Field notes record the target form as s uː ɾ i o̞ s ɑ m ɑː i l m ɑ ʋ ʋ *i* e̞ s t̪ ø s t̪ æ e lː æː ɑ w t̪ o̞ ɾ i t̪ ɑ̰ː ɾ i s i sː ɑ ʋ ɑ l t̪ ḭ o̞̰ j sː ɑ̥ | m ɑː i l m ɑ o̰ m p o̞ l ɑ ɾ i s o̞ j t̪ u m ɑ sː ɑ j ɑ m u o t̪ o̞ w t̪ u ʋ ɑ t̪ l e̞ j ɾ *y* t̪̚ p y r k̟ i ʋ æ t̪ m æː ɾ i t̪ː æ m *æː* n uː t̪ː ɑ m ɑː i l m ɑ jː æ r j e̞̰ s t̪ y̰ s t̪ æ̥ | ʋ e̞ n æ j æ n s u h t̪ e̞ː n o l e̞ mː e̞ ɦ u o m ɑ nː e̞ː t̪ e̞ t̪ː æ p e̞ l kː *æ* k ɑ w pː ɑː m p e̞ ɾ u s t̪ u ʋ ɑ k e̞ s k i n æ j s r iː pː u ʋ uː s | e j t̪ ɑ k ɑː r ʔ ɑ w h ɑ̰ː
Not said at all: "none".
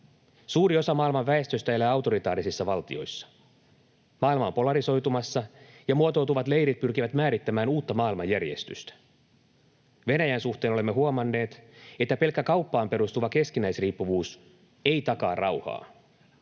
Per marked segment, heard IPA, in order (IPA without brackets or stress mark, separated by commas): æ, i, æː, æ